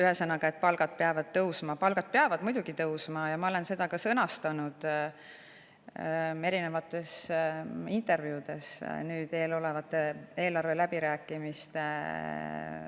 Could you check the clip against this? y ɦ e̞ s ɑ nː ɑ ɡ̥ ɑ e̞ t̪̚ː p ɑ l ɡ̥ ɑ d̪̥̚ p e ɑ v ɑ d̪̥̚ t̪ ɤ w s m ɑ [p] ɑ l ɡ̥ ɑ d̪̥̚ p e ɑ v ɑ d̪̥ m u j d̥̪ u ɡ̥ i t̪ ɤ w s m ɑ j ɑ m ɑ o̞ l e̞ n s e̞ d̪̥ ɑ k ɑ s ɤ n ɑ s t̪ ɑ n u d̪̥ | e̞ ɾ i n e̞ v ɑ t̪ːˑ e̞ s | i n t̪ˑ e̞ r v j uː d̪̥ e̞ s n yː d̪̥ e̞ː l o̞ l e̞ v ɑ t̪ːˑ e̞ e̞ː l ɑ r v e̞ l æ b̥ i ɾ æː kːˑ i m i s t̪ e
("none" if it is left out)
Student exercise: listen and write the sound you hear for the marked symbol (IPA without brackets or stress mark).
p